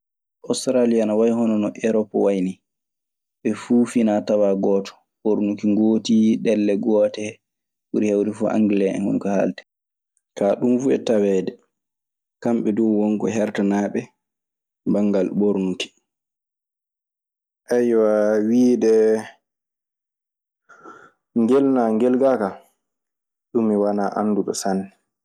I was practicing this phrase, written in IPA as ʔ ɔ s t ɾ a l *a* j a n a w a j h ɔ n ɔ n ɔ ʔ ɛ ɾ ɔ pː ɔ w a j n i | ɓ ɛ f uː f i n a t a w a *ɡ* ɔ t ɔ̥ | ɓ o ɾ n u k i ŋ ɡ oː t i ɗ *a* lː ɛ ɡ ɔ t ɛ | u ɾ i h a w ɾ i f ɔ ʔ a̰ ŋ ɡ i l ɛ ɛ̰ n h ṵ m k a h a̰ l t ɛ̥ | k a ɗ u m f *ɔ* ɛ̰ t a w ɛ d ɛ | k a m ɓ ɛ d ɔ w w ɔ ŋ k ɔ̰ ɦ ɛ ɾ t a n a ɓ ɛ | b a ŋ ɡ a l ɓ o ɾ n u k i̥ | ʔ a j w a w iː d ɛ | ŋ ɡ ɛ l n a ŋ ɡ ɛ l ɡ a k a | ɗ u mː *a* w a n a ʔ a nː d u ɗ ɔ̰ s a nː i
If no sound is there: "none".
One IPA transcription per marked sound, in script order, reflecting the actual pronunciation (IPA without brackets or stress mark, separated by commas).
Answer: i, ɡ, ɛ, u, i